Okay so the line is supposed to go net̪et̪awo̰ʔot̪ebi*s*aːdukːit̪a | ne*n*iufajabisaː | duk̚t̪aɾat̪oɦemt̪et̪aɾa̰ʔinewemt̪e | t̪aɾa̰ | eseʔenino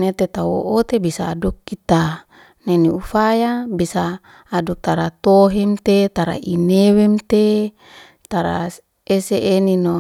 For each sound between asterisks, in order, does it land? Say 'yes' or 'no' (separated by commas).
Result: yes, yes